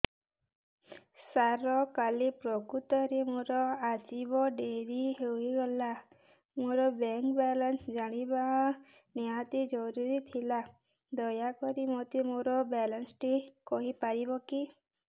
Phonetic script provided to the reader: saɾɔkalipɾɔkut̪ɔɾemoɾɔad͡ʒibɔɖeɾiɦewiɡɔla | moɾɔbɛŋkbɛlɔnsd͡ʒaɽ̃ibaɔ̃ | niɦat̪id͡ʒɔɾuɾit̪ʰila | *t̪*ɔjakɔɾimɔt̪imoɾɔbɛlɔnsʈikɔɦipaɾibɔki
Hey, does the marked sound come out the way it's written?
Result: no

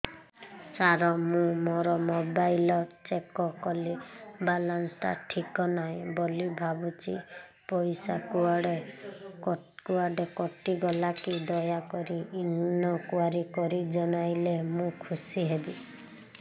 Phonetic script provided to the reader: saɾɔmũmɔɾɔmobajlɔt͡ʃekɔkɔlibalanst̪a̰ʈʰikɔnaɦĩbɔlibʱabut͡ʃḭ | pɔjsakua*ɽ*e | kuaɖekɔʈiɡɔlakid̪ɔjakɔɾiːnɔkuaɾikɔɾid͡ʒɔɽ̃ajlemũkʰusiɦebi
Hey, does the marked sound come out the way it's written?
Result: yes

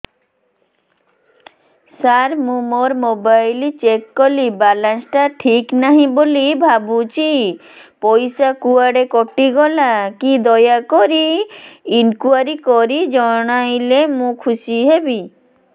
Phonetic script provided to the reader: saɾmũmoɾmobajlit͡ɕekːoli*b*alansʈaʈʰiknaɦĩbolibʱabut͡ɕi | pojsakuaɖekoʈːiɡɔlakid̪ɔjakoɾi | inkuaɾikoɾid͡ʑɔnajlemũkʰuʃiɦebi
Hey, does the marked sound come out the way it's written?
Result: yes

